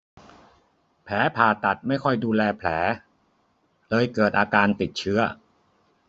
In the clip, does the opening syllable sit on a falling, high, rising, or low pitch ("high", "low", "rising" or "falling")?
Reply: rising